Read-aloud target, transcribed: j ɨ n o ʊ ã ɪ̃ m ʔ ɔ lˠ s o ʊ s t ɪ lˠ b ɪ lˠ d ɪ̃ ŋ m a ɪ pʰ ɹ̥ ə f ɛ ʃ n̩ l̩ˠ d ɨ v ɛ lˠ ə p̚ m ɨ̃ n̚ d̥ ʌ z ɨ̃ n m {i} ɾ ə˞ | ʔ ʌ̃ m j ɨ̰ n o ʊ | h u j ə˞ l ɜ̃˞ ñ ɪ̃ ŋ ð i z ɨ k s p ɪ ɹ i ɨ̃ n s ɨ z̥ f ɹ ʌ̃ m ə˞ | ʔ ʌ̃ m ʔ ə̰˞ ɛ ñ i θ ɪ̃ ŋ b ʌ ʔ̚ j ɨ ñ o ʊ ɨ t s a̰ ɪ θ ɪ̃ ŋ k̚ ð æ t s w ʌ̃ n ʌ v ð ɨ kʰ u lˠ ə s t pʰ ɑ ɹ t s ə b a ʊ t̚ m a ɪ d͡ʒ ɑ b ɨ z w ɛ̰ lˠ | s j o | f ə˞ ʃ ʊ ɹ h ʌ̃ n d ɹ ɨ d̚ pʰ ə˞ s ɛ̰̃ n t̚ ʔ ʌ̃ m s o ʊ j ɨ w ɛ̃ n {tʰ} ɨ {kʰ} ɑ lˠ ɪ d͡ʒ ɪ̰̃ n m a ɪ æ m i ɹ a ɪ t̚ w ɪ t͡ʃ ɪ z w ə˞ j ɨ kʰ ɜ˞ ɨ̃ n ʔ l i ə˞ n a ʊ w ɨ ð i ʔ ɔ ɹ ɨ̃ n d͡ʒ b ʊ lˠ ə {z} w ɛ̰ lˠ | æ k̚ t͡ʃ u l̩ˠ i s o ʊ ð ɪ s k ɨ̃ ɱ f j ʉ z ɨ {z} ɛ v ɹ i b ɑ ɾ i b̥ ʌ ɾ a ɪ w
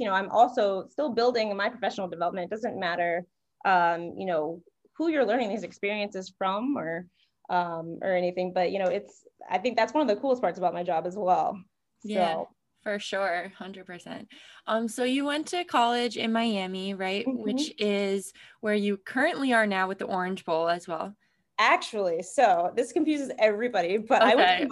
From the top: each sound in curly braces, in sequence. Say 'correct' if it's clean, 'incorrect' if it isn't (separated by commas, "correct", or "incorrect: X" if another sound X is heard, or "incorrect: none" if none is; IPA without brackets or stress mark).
incorrect: æ, correct, correct, correct, correct